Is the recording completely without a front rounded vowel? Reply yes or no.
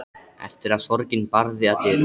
yes